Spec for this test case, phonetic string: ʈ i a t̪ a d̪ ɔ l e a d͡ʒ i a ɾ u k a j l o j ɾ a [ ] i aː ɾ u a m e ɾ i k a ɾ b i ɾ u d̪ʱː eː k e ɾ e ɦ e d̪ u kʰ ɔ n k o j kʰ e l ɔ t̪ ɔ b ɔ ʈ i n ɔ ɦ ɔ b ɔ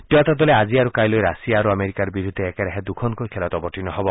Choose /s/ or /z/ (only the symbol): s